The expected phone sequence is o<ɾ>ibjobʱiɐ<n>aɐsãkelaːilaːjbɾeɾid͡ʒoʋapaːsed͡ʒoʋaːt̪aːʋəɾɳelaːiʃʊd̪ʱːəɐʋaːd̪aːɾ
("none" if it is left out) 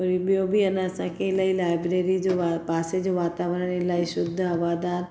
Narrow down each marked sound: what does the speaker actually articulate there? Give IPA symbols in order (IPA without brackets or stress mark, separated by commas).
ɾ, n